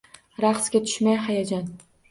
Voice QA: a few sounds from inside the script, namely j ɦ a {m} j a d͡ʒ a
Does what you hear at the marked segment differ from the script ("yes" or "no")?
yes